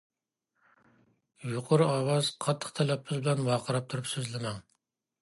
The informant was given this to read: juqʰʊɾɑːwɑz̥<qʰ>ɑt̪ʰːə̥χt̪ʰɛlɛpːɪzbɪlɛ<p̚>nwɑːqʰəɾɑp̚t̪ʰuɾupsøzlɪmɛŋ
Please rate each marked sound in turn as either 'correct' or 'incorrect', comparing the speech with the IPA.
correct, incorrect

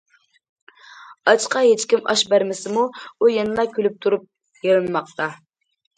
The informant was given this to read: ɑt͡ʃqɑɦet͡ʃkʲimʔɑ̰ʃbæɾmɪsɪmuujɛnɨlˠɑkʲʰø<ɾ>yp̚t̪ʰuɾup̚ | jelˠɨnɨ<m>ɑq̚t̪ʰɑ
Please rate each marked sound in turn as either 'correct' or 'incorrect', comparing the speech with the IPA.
incorrect, correct

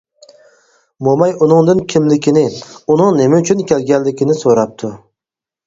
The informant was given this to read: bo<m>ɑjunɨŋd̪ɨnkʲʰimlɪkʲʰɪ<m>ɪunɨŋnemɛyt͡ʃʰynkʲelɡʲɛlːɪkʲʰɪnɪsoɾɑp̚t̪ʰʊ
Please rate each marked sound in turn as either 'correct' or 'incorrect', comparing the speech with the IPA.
correct, incorrect

